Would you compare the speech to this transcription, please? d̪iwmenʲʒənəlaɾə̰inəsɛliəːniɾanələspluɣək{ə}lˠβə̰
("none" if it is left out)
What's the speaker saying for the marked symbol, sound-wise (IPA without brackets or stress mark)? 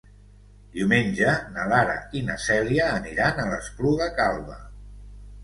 a